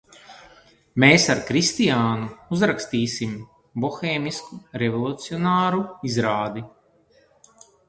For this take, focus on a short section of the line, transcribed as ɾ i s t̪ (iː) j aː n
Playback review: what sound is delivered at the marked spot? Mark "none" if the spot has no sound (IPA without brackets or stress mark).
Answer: i